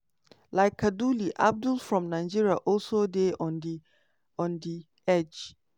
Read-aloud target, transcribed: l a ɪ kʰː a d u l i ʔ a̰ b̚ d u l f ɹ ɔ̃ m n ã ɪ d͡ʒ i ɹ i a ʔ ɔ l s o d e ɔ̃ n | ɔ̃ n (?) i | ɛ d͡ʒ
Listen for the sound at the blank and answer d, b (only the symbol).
d